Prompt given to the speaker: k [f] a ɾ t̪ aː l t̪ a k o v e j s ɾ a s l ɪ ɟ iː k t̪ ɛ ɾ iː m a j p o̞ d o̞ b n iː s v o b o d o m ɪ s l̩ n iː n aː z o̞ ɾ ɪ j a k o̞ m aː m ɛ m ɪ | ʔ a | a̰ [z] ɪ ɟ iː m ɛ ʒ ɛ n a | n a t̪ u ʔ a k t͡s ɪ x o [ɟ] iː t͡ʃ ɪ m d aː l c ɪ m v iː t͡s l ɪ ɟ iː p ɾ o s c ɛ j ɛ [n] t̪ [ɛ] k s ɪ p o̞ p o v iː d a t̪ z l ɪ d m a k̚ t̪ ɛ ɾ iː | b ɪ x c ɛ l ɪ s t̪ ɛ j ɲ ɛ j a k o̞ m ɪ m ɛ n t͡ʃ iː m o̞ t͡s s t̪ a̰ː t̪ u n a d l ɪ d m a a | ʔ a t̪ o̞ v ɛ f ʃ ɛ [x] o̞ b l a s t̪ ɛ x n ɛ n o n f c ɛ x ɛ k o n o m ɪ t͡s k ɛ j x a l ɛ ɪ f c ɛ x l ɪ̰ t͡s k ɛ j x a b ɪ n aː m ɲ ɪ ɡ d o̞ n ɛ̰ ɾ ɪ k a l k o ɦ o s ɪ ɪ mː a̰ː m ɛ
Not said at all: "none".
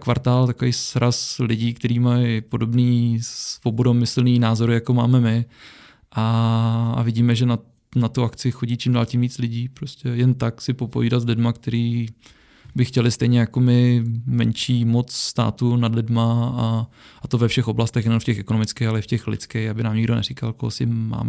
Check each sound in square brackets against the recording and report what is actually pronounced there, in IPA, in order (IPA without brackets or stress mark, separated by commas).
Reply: v, v, ɟ, n, a, x